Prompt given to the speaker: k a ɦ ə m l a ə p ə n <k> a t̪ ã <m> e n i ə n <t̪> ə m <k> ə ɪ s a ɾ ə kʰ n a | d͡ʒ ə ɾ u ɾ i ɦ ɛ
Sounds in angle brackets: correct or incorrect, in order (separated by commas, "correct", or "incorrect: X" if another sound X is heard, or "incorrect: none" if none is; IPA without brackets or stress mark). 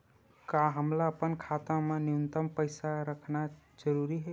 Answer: incorrect: kʰ, correct, correct, incorrect: p